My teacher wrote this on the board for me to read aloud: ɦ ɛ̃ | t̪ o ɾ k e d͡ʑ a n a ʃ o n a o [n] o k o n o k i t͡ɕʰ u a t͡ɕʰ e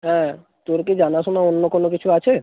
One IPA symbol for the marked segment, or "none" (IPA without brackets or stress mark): nː